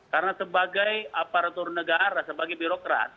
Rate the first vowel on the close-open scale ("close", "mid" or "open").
open